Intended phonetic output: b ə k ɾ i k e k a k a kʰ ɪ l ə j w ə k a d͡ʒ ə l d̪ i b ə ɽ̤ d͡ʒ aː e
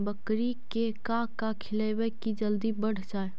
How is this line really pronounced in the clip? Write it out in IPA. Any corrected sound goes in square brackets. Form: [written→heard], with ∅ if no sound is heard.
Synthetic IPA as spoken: b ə k ɾ i k e k a k a kʰ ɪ l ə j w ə k [a→i] d͡ʒ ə l d̪ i b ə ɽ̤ d͡ʒ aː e